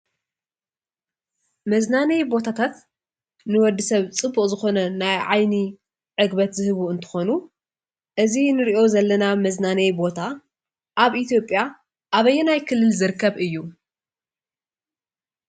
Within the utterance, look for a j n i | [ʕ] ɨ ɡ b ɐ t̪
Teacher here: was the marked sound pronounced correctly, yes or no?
yes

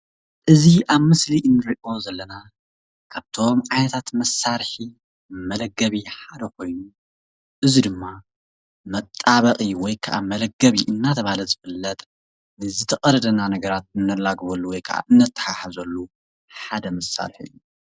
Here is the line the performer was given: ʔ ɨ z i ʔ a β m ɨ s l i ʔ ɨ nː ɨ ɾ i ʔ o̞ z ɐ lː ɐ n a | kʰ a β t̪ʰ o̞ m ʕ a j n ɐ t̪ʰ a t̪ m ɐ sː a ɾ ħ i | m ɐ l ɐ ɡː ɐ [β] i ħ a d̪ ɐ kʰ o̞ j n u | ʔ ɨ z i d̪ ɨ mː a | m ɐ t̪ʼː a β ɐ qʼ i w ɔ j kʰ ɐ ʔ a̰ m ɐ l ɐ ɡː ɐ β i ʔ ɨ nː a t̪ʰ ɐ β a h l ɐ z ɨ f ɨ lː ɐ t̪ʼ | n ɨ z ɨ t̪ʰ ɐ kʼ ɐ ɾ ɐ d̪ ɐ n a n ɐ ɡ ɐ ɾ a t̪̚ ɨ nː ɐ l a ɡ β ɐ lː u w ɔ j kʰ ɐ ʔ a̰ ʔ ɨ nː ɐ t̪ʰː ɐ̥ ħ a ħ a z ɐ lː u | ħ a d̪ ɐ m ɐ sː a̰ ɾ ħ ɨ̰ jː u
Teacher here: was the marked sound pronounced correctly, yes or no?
yes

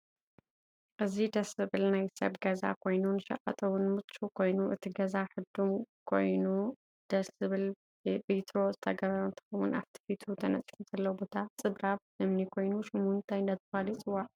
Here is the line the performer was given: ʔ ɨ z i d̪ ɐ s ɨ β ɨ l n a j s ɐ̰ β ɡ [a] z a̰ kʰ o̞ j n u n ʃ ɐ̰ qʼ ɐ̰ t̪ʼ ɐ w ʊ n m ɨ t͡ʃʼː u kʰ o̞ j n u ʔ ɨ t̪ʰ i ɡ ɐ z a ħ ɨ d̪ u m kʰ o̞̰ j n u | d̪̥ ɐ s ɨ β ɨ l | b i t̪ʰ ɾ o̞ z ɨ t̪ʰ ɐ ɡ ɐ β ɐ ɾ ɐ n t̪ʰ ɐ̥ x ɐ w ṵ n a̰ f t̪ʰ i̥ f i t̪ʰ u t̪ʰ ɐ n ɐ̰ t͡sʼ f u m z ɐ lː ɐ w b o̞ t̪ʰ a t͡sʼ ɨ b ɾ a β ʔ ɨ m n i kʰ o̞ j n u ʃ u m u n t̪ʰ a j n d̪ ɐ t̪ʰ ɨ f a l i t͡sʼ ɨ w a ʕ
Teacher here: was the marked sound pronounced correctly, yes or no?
no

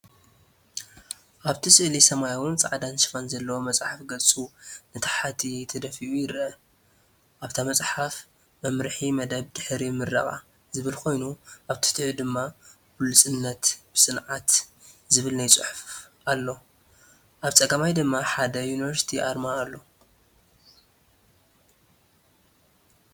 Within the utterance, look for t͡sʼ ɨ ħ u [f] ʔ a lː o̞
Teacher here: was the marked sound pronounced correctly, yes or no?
yes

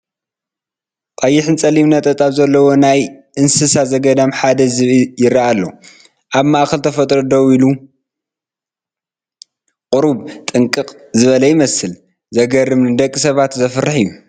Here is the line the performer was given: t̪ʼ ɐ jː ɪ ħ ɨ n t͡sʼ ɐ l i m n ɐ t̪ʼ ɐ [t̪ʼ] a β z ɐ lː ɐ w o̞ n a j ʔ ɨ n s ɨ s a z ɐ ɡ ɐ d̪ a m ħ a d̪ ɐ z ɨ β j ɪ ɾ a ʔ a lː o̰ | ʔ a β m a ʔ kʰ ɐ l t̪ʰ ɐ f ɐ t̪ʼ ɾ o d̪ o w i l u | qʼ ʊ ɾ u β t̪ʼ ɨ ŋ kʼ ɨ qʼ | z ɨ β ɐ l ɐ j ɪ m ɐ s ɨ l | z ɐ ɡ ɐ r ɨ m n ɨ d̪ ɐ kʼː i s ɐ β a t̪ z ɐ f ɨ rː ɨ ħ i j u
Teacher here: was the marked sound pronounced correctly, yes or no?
yes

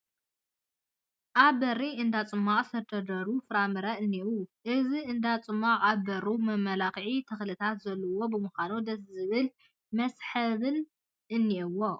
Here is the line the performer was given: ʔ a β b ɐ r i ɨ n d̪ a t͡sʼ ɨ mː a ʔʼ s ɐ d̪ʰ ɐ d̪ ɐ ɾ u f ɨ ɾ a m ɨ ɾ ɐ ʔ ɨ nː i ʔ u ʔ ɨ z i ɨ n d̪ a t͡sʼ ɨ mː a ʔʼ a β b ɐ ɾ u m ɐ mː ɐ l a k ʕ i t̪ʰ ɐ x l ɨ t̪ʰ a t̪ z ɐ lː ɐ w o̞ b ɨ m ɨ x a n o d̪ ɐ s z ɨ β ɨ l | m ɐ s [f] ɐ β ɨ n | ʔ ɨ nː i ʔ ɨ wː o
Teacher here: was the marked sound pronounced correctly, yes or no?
no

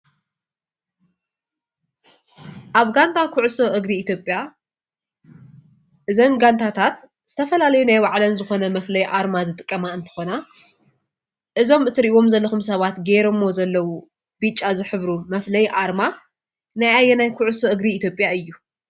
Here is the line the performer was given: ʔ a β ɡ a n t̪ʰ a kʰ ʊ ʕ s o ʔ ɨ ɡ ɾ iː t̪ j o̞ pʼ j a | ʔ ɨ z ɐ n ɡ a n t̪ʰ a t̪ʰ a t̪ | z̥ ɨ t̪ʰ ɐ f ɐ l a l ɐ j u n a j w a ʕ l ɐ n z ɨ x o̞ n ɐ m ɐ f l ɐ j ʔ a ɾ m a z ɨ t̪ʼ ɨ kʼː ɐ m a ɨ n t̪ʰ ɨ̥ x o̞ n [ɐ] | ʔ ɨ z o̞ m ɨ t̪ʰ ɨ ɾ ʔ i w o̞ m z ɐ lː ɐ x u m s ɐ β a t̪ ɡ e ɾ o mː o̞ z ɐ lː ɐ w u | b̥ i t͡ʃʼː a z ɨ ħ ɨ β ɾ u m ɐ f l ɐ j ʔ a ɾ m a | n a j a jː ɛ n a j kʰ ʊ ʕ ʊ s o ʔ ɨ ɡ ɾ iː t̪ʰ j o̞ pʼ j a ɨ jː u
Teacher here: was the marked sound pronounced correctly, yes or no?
no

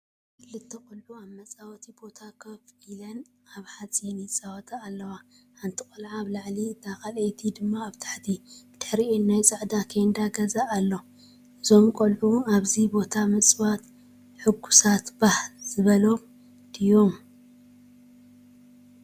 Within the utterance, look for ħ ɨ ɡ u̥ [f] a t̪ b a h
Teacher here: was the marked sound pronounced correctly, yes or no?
no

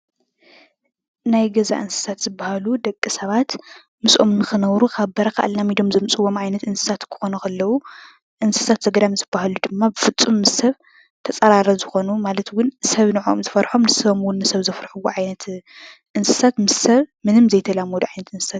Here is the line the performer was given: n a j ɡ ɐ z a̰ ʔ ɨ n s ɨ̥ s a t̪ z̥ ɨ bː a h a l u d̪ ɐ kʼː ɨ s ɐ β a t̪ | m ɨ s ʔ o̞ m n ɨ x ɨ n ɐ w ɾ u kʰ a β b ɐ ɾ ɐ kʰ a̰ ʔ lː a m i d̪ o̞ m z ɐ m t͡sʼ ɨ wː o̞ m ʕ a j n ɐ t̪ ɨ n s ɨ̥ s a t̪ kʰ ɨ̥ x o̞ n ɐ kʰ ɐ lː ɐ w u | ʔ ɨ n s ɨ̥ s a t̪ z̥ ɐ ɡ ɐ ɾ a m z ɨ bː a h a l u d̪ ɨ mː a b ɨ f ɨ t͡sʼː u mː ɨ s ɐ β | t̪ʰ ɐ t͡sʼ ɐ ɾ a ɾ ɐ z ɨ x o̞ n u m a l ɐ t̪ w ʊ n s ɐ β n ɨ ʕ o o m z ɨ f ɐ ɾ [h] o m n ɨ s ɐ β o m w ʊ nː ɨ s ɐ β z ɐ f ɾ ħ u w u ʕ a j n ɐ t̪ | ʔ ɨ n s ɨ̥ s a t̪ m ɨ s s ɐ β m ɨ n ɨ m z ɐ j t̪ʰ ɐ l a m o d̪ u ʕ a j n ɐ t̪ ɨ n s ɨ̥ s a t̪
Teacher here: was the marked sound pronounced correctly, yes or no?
no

